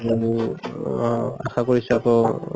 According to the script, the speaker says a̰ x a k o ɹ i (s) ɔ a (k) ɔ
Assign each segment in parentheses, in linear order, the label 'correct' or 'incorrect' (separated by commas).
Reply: correct, correct